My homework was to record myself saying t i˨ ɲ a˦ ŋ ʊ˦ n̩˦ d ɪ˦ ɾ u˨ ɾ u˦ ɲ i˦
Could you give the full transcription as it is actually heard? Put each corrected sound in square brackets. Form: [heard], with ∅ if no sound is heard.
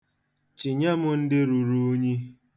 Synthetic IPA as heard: [t͡ʃ] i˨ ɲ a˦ [m] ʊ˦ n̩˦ d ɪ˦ ɾ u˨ ɾ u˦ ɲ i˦